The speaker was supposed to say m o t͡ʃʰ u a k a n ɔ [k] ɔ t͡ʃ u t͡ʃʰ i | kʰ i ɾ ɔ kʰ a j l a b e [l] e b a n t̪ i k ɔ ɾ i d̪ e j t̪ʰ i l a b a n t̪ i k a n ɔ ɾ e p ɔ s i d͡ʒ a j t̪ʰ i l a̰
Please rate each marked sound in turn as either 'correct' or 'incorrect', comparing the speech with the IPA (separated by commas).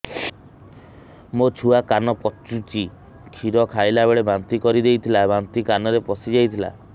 incorrect, incorrect